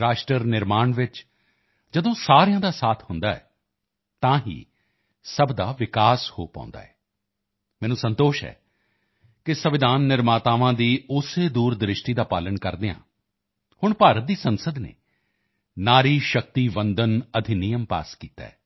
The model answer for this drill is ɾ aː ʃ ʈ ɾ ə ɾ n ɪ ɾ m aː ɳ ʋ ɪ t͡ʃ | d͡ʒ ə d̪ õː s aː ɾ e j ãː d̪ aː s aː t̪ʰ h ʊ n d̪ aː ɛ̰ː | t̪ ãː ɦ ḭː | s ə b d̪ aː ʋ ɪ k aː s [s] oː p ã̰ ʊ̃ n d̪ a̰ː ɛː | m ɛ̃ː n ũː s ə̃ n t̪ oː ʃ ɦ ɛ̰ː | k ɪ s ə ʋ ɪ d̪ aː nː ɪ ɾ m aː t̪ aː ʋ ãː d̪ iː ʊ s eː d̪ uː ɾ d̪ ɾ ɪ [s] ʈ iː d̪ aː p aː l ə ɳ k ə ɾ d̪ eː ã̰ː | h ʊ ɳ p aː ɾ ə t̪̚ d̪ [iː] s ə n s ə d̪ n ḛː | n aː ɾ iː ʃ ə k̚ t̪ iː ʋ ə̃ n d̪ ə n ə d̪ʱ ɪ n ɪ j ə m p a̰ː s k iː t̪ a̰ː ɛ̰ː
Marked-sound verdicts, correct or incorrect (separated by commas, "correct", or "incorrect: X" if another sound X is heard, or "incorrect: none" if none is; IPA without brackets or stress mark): incorrect: h, incorrect: ʃ, correct